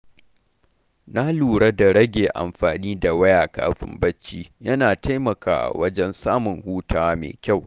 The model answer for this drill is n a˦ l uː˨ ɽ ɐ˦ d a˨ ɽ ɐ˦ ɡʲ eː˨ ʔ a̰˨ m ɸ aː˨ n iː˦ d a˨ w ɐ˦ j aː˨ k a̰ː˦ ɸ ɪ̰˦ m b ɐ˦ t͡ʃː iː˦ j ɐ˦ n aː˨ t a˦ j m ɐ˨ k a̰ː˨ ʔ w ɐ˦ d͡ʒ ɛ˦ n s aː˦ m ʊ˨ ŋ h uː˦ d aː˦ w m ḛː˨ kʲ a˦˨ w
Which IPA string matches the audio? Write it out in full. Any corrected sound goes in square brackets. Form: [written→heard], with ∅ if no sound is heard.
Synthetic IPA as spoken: n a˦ l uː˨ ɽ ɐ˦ d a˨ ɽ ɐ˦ ɡʲ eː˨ ʔ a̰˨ m ɸ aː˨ n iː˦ d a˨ w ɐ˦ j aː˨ k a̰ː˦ ɸ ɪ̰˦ m b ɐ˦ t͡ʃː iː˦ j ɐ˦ n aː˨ t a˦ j m ɐ˨ k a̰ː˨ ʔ w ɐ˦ d͡ʒ ɛ˦ n s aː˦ m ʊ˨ ŋ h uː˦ [d→t] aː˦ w m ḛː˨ kʲ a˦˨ w